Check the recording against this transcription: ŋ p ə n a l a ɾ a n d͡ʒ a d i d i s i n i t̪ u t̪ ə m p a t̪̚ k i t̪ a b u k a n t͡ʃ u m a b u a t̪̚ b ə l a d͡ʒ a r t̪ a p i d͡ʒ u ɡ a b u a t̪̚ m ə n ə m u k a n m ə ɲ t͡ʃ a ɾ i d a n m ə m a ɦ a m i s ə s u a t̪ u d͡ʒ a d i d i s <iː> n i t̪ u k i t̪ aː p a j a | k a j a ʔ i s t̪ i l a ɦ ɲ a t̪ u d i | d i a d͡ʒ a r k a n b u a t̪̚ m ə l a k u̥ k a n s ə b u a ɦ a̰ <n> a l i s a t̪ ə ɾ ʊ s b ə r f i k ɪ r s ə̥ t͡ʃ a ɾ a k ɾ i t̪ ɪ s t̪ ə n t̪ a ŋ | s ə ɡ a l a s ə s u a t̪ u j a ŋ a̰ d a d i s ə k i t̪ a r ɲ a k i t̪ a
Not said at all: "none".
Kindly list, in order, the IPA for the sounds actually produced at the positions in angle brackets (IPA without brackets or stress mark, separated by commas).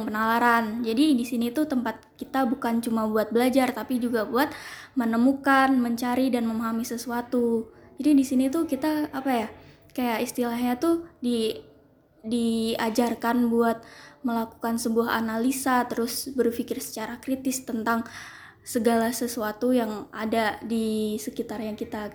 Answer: i, n